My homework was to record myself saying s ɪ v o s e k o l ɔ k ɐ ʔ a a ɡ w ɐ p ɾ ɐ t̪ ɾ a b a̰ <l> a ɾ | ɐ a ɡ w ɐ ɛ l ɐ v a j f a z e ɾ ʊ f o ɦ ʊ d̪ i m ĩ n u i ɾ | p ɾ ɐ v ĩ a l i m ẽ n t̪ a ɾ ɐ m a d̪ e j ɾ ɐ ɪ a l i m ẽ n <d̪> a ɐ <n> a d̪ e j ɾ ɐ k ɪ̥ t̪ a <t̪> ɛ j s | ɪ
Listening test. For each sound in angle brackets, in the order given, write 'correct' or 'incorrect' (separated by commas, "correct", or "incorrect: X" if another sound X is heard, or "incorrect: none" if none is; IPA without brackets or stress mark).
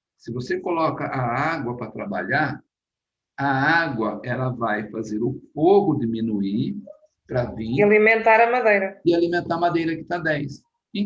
incorrect: ʎ, incorrect: t̪, incorrect: m, incorrect: d̪